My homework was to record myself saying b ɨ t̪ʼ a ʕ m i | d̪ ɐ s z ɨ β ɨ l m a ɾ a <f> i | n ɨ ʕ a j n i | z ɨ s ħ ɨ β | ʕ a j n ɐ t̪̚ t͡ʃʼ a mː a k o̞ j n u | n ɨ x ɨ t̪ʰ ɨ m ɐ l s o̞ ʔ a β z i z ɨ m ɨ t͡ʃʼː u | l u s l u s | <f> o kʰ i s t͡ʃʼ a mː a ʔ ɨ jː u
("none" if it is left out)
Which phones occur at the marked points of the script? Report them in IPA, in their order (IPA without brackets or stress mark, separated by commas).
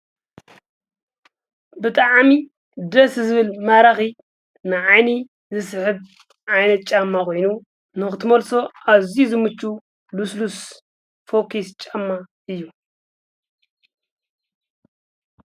x, f